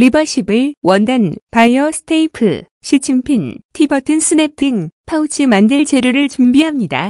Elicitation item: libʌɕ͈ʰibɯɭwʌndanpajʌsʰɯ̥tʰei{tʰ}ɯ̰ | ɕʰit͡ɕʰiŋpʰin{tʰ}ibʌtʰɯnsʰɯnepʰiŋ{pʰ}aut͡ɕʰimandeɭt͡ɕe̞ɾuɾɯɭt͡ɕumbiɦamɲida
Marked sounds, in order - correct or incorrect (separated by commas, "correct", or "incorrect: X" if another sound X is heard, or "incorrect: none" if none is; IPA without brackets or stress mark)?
incorrect: pʰ, correct, correct